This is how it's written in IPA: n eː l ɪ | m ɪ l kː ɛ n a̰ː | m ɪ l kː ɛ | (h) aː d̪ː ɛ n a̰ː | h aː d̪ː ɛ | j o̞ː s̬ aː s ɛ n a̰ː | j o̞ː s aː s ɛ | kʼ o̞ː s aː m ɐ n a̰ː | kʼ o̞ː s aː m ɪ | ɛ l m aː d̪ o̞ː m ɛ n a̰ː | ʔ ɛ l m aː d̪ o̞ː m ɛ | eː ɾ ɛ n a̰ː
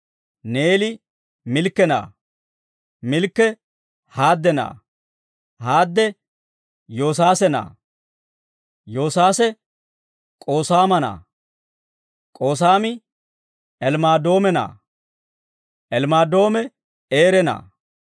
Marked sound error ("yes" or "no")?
no